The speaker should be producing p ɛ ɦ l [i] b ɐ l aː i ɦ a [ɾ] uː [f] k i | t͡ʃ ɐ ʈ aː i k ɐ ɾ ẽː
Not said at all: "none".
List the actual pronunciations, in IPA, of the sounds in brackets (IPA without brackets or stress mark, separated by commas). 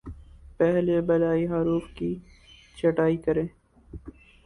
e, ɾ, f